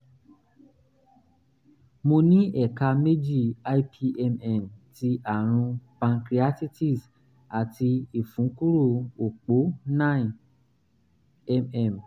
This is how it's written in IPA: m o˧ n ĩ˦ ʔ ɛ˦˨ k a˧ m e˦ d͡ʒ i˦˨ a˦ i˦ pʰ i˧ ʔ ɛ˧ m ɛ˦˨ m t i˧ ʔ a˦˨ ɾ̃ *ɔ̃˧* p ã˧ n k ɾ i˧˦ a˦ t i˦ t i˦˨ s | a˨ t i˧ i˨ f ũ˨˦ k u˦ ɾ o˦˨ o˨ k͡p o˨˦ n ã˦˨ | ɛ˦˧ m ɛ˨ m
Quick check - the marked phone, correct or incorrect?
incorrect: ũ˧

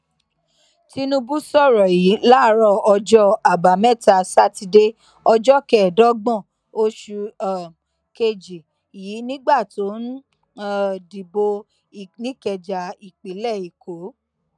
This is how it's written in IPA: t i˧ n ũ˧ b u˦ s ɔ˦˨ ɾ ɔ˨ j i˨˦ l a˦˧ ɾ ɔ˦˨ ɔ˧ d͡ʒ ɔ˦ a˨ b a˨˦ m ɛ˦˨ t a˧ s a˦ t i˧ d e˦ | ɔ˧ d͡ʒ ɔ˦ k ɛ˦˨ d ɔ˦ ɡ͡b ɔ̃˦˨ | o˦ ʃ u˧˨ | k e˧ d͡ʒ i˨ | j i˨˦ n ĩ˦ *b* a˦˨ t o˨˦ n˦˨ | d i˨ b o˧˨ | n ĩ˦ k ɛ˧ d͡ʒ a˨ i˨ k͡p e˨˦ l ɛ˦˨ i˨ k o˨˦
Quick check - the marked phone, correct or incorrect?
incorrect: ɡ͡b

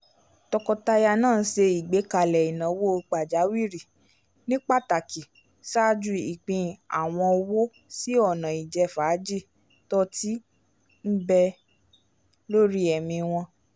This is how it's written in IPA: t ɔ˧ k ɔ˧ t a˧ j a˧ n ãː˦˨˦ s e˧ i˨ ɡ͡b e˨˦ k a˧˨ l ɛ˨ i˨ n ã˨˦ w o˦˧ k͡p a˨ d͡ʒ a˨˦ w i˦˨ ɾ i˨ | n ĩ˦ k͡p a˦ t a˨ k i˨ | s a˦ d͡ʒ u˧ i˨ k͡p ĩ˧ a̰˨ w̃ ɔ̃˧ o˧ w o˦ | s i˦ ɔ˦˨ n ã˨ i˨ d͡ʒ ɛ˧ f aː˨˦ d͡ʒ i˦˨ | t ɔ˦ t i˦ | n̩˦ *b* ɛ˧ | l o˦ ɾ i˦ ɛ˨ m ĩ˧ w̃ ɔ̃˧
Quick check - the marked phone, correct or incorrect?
correct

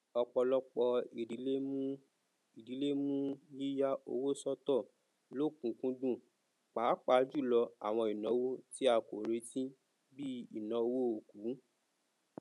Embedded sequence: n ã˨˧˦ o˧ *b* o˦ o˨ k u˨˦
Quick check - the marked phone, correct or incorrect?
incorrect: w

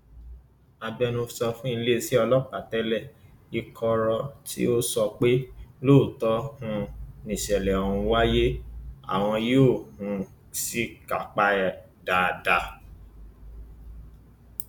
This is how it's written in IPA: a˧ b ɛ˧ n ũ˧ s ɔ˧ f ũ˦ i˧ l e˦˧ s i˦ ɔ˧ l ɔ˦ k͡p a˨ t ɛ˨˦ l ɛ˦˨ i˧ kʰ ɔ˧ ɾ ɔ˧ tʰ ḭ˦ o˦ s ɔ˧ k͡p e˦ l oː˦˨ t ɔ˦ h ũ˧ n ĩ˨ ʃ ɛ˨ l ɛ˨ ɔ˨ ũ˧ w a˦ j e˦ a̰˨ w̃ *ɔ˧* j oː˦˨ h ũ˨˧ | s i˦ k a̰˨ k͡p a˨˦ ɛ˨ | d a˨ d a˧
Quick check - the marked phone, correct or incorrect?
incorrect: ɔ̃˧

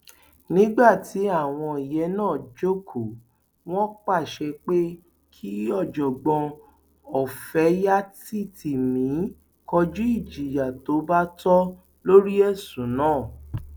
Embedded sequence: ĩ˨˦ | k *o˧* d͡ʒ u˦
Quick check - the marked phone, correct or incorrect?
incorrect: ɔ˧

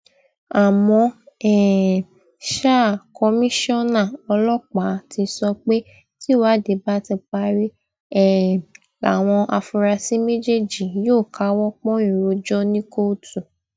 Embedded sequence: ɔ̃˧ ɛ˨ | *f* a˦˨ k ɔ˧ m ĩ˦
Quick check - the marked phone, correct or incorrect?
incorrect: ʃ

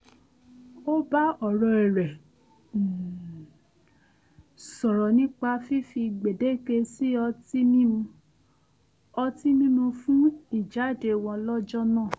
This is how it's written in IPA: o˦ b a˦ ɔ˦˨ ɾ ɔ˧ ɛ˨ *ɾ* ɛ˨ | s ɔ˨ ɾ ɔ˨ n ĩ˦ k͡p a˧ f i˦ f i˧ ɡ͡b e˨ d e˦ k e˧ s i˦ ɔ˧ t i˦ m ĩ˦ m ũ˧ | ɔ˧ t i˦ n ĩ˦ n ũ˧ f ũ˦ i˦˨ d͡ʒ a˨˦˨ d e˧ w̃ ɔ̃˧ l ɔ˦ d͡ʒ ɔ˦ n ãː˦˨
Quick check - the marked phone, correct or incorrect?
correct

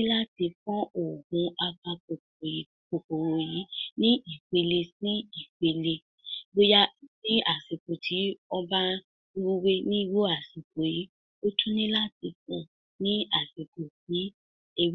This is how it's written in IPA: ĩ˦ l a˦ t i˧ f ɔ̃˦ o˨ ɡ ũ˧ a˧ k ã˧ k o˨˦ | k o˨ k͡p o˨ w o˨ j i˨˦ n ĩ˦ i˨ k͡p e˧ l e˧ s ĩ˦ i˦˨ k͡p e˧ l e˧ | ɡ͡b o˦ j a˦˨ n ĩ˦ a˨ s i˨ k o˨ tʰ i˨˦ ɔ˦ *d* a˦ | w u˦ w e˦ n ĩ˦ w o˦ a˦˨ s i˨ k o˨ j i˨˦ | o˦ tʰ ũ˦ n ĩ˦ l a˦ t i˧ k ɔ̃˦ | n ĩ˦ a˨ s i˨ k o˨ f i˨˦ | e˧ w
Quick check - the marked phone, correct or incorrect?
incorrect: b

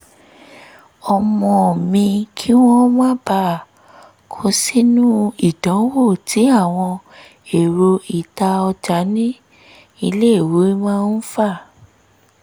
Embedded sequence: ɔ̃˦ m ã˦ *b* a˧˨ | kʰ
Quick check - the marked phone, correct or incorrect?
correct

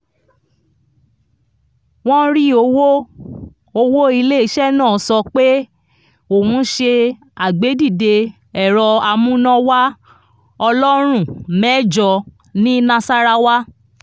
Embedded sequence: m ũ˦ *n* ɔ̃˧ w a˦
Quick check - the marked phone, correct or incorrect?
correct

